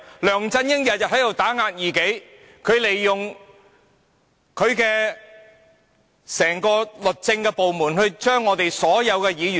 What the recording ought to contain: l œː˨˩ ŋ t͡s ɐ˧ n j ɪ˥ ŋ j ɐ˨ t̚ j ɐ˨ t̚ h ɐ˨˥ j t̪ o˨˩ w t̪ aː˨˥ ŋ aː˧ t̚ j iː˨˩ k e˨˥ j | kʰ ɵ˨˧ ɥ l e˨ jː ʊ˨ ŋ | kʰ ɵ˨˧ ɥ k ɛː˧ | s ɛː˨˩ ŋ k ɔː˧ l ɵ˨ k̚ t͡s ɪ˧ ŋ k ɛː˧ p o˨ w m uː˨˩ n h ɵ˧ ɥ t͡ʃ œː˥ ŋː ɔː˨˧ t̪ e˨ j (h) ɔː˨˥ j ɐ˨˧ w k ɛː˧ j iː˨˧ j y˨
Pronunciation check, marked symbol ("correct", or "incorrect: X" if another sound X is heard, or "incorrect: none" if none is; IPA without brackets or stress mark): incorrect: s